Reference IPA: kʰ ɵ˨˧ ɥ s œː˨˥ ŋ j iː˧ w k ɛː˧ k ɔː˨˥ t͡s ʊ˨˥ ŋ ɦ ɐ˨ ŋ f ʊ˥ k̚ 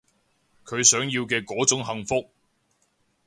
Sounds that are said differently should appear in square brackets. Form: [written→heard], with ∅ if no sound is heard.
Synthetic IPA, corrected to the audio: kʰ ɵ˨˧ ɥ s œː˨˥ ŋ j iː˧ w k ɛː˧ k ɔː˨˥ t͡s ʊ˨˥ ŋ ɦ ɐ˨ ŋ f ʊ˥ k̚